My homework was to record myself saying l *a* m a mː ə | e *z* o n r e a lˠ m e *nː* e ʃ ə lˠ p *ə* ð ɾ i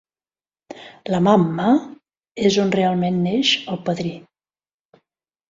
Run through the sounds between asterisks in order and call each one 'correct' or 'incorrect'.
incorrect, correct, correct, correct

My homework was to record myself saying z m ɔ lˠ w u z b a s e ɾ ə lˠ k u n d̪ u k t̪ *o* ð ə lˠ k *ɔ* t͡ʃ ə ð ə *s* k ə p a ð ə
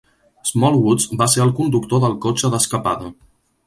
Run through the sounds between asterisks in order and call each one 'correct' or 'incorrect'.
correct, incorrect, correct

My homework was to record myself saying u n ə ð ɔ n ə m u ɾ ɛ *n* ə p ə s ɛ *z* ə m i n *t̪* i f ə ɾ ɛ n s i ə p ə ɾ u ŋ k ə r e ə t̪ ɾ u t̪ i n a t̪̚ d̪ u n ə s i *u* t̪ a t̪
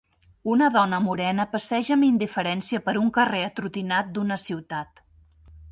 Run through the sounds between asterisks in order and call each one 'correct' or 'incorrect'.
correct, incorrect, incorrect, incorrect

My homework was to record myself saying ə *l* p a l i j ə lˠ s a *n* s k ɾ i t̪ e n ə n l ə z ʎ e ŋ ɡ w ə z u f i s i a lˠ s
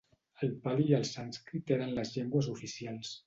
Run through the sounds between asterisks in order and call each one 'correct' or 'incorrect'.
correct, correct

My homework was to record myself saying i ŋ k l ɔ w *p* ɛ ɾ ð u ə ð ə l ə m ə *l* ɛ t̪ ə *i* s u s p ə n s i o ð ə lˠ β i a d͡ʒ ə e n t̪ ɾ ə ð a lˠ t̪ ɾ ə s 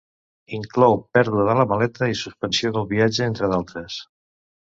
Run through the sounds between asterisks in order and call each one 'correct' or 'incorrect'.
correct, correct, correct

